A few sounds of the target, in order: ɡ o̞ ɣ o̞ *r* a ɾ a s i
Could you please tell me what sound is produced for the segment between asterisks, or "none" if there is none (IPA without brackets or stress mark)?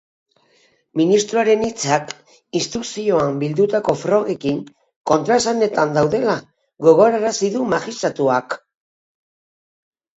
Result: ɾ